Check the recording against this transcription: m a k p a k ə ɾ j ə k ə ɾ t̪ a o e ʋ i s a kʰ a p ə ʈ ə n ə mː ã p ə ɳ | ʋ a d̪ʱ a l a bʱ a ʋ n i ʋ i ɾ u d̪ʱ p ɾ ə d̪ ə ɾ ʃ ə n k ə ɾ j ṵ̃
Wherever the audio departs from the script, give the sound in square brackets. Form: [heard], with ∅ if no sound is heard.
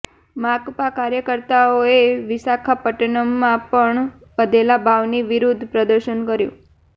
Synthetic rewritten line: m a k p a k [a] ɾ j ə k ə ɾ t̪ a o e ʋ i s a kʰ a p ə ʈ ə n ə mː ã p ə ɳ | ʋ [ə] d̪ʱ [e] l a bʱ a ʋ n i ʋ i ɾ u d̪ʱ p ɾ ə d̪ ə ɾ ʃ ə n k ə ɾ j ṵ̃